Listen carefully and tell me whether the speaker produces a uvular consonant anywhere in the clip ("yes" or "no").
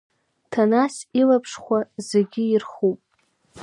yes